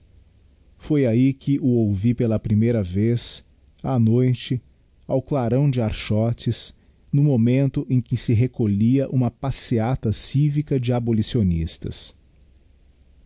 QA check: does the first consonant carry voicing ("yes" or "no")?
no